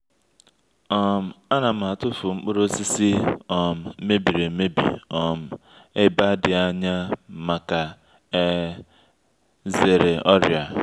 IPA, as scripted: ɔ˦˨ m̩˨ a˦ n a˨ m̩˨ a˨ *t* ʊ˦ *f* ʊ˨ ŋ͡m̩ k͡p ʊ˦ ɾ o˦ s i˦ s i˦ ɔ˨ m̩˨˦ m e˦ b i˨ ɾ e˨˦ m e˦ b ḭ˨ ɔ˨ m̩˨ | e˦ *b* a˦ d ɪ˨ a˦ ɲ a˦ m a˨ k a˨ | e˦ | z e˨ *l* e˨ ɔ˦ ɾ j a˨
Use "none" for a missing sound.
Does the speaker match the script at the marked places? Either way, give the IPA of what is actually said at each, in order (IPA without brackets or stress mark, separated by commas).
t, f, b, ɾ